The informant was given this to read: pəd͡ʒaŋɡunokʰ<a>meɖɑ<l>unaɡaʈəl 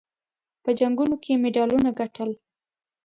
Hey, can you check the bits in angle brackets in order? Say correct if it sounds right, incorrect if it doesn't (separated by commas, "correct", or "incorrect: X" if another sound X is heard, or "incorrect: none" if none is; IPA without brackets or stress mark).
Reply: incorrect: e, correct